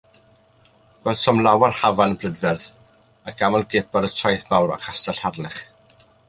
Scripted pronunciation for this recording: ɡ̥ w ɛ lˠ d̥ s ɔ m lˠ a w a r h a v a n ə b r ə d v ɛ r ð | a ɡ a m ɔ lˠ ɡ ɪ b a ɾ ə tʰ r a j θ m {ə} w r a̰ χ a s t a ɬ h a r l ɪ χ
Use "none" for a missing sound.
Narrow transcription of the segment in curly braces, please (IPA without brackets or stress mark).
a